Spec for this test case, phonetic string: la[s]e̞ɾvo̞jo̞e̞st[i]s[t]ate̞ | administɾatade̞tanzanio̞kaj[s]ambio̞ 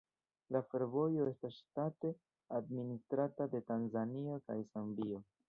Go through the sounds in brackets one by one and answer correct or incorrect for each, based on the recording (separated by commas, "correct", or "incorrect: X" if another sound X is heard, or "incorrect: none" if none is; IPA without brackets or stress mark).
incorrect: f, incorrect: a, correct, correct